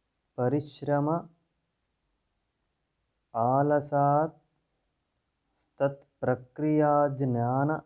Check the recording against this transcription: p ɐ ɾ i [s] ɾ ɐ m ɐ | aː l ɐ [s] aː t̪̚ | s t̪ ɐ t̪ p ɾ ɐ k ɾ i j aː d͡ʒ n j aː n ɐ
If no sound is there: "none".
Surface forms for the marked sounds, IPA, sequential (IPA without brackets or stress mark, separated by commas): ʃ, s